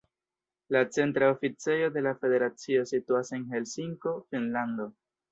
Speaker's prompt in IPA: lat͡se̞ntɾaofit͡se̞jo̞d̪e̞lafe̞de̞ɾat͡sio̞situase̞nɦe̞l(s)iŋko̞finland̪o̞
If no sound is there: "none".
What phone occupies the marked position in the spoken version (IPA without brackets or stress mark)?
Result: s